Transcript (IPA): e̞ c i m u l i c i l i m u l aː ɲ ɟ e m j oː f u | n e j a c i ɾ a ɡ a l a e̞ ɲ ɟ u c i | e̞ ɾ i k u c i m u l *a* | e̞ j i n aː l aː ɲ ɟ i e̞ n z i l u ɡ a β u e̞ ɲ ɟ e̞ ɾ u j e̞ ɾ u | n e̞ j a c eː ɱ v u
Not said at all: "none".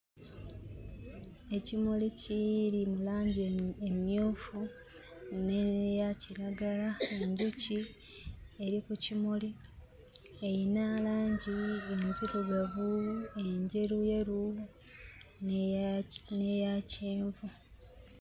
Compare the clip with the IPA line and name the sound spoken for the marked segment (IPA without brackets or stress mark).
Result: i